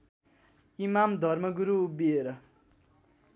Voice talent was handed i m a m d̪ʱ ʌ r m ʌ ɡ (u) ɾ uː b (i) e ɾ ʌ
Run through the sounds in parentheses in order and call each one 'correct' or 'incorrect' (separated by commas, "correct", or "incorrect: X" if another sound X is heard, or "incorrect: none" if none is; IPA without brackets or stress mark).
correct, correct